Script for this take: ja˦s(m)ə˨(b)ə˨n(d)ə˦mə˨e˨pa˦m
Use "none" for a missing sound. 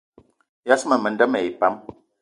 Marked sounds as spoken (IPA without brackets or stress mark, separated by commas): m, m, d